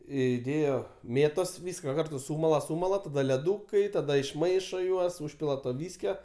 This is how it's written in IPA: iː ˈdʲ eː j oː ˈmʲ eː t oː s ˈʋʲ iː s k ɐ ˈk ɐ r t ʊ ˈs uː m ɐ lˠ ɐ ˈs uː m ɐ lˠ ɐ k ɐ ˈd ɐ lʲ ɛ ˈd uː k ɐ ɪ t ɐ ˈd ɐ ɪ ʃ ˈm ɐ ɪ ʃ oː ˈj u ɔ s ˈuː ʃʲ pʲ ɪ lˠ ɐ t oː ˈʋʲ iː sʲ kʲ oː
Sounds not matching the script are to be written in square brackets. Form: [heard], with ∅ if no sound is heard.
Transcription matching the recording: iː ˈdʲ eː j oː ˈmʲ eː t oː s ˈʋʲ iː s k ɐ ˈk ɐ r t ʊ ˈs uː m ɐ lˠ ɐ ˈs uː m ɐ lˠ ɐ [t] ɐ ˈd ɐ lʲ ɛ ˈd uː k ɐ ɪ t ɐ ˈd ɐ ɪ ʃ ˈm ɐ ɪ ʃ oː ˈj u ɔ s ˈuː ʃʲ pʲ ɪ lˠ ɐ t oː ˈʋʲ iː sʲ kʲ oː